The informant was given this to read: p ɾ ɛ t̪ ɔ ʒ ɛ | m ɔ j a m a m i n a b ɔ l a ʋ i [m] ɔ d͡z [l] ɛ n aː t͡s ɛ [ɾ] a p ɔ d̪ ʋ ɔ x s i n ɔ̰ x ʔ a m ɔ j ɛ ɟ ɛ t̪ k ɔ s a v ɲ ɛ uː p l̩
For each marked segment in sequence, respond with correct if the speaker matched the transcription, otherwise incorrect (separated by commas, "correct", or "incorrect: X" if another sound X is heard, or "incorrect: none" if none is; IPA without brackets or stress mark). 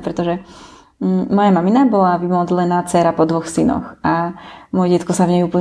correct, correct, correct